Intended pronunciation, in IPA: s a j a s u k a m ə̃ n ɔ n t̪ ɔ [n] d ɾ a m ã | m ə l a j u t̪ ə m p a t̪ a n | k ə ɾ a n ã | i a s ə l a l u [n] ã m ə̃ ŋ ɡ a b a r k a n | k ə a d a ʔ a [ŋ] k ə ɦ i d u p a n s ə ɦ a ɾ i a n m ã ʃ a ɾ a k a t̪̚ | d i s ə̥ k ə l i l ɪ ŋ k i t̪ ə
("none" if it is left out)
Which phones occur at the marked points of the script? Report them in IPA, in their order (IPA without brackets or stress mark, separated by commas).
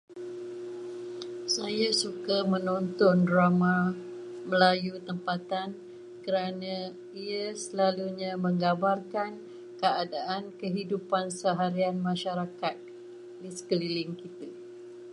n, ɲ, n